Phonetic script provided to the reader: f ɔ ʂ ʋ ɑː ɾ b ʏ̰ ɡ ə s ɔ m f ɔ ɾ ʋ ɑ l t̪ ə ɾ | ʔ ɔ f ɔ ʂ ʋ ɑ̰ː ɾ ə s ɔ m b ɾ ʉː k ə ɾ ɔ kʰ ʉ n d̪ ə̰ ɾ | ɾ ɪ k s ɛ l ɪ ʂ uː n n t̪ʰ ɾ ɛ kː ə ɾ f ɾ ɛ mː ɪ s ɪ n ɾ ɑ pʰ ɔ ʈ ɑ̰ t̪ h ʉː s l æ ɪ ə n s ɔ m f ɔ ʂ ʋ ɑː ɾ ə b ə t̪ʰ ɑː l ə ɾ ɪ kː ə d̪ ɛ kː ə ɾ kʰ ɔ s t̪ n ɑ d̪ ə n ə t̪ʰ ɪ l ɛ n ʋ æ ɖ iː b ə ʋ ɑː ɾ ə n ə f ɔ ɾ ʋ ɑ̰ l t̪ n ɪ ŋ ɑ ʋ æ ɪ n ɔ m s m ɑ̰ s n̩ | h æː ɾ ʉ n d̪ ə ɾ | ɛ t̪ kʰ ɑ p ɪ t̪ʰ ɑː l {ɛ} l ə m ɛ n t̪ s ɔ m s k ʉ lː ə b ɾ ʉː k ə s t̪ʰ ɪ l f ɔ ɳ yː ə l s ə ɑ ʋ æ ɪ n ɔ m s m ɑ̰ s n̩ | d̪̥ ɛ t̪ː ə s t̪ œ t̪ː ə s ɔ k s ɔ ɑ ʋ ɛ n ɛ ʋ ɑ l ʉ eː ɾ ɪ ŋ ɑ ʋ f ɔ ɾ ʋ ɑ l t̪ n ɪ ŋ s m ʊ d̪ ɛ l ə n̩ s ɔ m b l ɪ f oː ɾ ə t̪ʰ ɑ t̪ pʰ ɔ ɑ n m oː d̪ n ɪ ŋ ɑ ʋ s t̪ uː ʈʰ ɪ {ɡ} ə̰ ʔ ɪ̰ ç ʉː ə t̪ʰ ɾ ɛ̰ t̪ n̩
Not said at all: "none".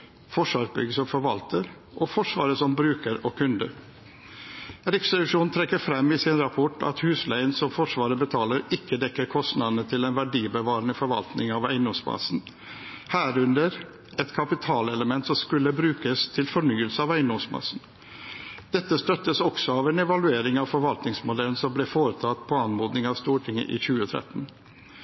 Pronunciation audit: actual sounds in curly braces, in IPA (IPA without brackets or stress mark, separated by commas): ɛ, ŋ